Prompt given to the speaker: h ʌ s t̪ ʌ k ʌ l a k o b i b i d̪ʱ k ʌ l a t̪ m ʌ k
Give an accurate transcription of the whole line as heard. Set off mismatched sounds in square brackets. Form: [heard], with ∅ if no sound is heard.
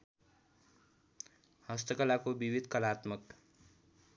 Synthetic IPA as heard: h ʌ s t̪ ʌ k ʌ l a k o b i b i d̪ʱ k ʌ l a t̪ m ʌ k